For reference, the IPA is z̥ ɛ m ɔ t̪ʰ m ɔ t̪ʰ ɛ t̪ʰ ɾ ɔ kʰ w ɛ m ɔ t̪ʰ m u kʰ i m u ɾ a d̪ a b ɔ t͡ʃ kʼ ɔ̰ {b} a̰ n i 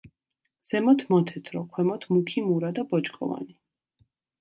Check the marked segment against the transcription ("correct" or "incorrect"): incorrect